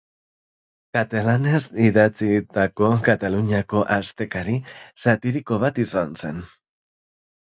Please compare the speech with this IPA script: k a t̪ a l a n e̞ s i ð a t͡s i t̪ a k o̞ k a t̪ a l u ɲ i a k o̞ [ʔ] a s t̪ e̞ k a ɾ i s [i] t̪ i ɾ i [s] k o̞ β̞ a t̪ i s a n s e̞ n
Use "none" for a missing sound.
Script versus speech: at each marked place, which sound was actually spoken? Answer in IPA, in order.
ʔ, a, none

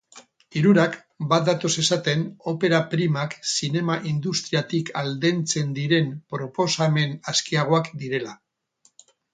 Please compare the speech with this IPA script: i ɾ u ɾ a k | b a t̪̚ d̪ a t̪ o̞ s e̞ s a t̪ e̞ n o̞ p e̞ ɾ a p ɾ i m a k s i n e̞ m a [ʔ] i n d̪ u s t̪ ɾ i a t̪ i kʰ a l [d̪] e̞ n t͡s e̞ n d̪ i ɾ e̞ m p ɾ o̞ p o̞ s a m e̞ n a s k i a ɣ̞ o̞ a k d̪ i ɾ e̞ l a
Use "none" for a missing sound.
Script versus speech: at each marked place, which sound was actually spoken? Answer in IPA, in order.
ʔ, d̪

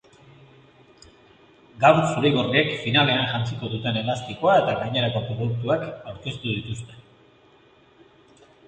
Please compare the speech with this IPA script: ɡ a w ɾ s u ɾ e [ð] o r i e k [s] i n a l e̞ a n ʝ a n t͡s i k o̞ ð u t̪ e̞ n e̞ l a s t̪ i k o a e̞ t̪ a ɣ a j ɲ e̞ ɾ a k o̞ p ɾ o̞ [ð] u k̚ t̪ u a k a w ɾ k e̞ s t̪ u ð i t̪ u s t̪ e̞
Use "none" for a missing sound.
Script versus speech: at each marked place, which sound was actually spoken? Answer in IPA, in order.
ɣ, f, ð

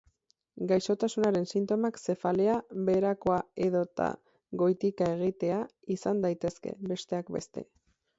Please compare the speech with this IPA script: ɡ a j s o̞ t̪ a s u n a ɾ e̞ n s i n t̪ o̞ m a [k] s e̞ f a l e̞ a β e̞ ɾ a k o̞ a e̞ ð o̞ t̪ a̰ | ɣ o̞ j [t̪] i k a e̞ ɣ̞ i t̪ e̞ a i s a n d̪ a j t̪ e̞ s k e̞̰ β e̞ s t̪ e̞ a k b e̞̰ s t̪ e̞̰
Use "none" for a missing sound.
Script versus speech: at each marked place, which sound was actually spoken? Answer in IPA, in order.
k, t̪

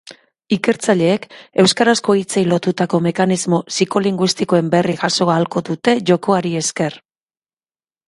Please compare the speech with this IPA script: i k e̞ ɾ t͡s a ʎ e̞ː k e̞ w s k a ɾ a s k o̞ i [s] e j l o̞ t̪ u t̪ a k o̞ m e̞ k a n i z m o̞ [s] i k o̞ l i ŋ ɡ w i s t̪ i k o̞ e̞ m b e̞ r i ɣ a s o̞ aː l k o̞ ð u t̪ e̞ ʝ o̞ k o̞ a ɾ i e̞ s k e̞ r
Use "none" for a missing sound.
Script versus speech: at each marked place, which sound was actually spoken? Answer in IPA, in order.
t͡s, s

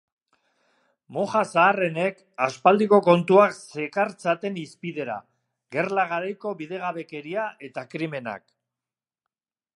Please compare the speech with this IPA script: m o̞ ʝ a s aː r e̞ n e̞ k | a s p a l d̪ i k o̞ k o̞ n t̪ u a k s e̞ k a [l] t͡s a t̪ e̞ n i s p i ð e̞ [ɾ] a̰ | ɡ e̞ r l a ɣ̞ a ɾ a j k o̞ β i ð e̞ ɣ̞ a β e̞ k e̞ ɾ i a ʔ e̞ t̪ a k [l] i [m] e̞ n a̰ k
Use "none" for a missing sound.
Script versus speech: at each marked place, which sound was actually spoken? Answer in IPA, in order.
ɾ, ɾ, ɾ, m

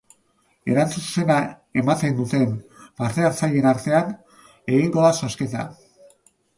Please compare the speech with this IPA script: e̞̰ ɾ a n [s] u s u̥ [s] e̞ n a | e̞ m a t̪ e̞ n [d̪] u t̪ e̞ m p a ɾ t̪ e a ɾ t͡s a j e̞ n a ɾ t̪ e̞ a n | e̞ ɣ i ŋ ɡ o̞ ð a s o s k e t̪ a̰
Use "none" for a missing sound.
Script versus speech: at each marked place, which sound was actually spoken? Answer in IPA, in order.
t͡s, s, d̪

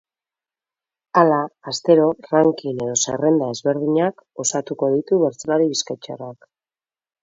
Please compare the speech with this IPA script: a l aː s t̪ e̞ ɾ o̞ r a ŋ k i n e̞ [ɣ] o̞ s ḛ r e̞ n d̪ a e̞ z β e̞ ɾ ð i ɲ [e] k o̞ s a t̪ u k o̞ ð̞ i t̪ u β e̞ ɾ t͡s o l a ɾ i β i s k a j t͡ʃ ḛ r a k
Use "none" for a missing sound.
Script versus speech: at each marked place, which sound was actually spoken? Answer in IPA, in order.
ð, a

